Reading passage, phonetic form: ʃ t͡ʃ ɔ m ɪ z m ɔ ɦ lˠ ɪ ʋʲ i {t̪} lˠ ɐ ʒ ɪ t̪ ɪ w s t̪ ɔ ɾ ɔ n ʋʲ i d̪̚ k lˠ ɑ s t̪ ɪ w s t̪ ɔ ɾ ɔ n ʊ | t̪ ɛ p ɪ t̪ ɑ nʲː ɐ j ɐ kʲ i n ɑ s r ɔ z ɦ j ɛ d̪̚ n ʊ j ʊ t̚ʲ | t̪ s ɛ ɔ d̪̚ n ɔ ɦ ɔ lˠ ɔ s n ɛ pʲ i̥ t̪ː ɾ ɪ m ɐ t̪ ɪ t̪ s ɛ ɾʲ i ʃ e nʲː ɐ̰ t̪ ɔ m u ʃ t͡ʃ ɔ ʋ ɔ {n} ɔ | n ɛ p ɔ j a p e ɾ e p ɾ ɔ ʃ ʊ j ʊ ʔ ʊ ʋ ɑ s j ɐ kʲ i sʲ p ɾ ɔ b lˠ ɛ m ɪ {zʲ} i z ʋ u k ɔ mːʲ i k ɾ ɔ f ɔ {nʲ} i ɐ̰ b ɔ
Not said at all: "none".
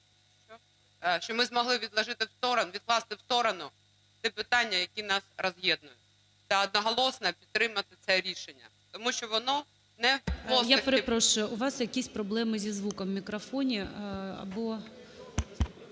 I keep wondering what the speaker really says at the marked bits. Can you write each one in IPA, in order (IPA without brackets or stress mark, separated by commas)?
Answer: d̪, n, zʲ, nʲ